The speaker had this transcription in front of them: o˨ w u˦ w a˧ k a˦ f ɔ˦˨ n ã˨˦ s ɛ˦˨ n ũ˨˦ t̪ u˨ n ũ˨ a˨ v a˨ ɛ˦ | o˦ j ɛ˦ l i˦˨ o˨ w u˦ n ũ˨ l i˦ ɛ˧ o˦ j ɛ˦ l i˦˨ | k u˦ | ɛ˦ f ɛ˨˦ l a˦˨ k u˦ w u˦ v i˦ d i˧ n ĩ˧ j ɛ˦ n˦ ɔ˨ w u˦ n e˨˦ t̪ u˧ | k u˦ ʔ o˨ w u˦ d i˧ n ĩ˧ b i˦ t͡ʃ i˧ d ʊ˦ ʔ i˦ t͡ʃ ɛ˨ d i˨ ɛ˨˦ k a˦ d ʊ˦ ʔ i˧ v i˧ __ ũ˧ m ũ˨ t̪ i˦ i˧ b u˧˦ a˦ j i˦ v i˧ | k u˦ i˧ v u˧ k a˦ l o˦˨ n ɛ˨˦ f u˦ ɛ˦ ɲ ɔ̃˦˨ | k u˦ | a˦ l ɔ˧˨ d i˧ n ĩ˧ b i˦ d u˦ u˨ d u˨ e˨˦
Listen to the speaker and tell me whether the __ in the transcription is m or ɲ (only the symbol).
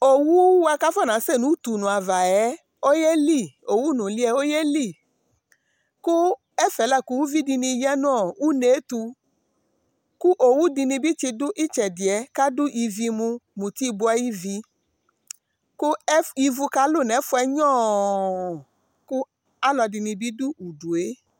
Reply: m